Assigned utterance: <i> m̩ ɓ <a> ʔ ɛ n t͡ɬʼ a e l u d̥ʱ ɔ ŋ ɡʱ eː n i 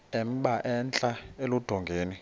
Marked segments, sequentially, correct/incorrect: incorrect: ɛ, correct

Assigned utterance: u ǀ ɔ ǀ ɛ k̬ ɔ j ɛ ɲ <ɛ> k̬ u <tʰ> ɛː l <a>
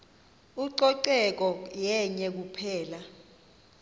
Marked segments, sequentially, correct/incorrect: correct, incorrect: pʰ, correct

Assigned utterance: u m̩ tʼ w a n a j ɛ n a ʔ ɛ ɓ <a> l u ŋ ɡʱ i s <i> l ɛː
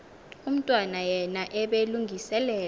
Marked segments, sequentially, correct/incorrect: incorrect: e, incorrect: ɛ

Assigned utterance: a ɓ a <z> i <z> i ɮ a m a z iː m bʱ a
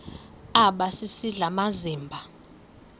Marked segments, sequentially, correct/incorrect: incorrect: s, incorrect: s

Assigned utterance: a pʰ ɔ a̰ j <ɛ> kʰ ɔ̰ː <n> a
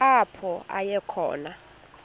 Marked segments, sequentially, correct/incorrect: correct, correct

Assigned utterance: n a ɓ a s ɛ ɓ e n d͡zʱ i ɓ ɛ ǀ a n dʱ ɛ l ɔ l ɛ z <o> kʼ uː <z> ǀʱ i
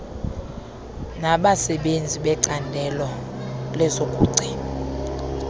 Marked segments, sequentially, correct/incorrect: correct, incorrect: none

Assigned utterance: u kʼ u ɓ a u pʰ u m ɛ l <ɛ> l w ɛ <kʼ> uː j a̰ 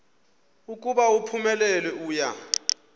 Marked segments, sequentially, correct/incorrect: correct, incorrect: none

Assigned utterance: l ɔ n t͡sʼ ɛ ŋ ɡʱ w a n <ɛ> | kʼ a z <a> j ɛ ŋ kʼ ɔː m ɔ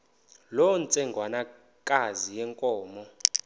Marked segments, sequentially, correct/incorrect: incorrect: a, incorrect: i

